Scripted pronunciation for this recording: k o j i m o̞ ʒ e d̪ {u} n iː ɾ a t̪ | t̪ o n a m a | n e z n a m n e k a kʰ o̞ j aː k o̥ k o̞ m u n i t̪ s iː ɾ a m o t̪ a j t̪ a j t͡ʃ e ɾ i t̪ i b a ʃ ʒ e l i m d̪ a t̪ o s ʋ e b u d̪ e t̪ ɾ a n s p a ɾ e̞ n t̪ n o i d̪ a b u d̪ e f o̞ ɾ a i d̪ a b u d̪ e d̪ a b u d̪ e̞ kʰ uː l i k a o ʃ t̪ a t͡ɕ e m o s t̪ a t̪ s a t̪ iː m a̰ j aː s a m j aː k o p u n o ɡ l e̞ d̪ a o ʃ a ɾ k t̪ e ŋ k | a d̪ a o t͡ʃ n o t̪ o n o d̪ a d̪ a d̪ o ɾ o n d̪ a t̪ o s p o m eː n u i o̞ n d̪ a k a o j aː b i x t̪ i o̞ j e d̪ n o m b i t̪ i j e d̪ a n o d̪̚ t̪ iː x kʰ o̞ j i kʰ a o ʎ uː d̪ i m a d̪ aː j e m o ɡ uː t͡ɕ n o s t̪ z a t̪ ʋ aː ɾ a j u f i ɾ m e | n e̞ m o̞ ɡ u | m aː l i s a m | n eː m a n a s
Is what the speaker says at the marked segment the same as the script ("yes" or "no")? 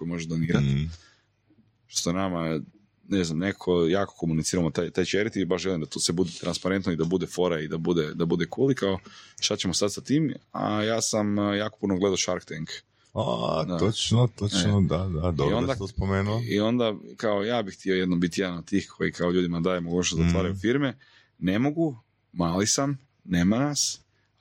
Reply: no